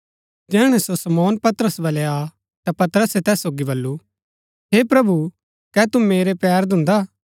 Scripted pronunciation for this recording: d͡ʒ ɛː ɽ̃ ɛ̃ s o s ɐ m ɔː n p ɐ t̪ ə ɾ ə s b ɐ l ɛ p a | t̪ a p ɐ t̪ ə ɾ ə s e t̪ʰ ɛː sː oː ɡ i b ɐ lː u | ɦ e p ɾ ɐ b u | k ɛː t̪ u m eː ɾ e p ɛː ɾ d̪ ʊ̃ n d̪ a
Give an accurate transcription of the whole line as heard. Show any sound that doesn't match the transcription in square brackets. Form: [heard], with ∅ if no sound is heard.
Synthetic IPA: d͡ʒ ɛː ɽ̃ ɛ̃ s o s ɐ m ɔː n p ɐ t̪ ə ɾ ə s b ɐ l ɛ [∅] a | t̪ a p ɐ t̪ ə ɾ ə s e [t̪] ɛː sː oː ɡ i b ɐ lː u | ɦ e p ɾ ɐ b u | k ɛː t̪ u m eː ɾ e p ɛː ɾ d̪ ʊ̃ n d̪ a